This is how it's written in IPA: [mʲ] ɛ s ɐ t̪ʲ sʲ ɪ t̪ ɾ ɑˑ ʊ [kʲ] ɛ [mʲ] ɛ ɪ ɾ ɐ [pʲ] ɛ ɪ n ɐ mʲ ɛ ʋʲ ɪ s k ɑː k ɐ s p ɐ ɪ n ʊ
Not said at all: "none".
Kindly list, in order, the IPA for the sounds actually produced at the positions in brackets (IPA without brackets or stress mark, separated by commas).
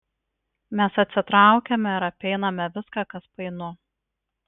mʲ, kʲ, mʲ, pʲ